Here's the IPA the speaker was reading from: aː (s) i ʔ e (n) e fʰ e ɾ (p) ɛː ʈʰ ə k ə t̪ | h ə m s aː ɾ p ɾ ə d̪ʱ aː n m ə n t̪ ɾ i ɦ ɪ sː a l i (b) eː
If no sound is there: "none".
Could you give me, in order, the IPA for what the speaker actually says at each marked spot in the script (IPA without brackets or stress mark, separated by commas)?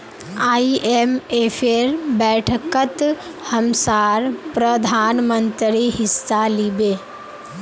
none, m, b, b